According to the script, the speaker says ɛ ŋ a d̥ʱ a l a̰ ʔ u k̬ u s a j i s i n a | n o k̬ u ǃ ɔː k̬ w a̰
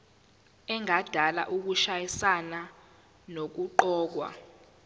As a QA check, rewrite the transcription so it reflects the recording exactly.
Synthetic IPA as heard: ɛ ŋ a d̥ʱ a l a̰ ʔ u k̬ u ʃ a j i s a n a | n o k̬ u ǃ ɔː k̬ w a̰